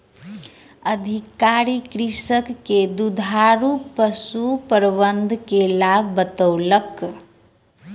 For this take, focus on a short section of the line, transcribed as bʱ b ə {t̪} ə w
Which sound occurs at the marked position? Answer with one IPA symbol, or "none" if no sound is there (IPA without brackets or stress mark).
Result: t̪